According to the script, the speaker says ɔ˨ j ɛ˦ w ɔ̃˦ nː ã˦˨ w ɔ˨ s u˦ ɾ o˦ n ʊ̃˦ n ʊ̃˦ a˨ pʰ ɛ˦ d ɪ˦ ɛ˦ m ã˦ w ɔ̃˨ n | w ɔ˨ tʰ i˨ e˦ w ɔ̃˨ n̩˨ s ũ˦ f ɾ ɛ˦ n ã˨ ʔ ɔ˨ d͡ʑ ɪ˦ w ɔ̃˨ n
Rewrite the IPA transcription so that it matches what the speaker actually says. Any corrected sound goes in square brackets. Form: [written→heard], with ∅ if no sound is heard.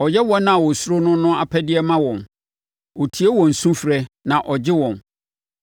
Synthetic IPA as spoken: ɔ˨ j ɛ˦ w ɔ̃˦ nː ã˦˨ w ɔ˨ s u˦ ɾ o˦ n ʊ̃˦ n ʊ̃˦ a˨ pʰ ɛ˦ d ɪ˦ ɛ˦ m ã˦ w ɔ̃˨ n | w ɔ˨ tʰ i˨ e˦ w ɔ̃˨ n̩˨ s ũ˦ f ɾ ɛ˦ n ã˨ ʔ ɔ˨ d͡ʑ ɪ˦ w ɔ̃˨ n

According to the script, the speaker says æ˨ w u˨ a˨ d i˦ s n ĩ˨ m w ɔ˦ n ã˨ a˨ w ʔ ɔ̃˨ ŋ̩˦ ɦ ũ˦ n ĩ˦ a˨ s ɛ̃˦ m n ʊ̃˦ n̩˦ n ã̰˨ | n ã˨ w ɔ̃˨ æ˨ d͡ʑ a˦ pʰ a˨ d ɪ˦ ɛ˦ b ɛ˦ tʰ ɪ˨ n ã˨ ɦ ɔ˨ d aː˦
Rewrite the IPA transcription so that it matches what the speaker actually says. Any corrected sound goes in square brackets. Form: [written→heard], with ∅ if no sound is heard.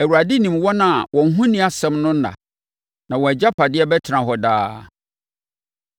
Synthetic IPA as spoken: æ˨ w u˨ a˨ d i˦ [s→∅] n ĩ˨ m w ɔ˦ n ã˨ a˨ w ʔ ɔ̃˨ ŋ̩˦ ɦ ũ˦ n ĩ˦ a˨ s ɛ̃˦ m n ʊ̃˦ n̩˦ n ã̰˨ | n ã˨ w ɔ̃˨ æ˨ d͡ʑ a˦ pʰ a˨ d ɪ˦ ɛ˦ b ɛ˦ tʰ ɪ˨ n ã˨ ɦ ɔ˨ d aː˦

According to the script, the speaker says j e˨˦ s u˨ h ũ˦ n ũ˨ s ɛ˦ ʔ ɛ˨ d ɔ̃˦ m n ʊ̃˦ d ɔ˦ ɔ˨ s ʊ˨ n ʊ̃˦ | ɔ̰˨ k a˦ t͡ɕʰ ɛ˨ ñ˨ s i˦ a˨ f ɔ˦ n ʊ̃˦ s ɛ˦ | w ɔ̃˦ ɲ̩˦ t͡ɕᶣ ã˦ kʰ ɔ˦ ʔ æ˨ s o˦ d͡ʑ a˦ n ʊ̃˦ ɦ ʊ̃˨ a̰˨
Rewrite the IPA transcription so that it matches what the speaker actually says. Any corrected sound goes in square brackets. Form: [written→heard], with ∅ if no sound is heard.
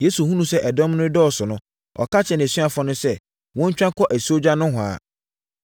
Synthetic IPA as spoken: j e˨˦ s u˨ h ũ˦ n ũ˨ s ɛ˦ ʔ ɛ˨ d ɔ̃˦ m n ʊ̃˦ d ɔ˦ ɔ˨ s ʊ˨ n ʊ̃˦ | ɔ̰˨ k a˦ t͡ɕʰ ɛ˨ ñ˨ s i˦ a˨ f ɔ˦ n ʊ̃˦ s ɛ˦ | w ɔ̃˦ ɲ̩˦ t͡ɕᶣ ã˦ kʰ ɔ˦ ʔ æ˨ s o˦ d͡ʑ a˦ n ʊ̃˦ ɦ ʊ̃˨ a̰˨

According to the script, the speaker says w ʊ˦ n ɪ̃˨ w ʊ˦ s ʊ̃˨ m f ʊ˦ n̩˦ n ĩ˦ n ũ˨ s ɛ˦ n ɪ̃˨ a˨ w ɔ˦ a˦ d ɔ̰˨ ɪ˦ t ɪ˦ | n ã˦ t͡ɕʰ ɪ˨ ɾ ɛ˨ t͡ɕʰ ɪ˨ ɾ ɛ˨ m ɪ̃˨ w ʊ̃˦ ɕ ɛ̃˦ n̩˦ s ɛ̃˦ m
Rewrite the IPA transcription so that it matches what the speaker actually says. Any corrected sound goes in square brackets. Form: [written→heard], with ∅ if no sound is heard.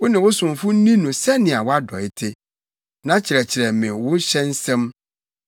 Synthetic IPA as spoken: w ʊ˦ n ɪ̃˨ w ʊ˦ s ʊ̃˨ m f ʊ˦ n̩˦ n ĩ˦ n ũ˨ s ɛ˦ n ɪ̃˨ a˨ w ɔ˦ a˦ d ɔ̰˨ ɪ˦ [t→tʰ] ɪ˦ | n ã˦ t͡ɕʰ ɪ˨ ɾ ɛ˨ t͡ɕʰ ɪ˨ ɾ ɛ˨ m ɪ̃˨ w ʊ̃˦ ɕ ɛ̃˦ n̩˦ s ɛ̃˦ m

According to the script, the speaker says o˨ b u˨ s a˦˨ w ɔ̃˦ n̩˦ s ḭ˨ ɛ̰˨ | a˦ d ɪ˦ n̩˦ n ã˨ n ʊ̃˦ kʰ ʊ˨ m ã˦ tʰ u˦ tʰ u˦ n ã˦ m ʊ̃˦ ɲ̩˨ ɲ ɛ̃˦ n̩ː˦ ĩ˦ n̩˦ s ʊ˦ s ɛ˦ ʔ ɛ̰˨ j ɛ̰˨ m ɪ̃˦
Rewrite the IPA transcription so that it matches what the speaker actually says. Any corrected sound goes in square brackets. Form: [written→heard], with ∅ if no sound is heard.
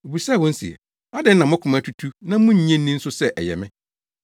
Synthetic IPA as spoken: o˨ b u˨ s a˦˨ w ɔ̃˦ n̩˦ s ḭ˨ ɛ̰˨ | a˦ d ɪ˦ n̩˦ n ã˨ [n→m] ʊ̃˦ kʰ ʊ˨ m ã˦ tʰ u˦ tʰ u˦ n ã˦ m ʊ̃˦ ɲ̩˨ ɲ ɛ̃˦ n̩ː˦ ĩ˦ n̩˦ s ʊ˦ s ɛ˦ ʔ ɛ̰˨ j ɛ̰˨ m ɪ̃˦

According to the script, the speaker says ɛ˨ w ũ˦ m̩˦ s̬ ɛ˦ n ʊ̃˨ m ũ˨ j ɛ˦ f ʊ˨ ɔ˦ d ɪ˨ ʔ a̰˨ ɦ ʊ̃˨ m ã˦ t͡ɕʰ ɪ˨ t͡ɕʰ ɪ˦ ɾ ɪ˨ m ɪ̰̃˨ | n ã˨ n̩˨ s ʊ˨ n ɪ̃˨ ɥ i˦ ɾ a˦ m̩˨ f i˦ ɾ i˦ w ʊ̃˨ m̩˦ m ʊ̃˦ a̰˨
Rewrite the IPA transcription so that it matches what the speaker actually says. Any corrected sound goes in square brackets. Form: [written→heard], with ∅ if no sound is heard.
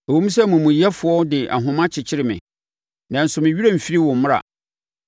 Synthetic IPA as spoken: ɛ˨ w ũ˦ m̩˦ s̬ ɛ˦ [n→m] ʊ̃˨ m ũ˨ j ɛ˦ f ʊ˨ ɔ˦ d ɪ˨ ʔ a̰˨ ɦ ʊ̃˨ m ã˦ t͡ɕʰ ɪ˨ t͡ɕʰ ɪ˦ ɾ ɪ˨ m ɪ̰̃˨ | n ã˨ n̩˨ s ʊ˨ [n→m] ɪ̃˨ ɥ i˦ ɾ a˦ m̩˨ f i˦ ɾ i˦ w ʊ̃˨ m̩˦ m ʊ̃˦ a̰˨

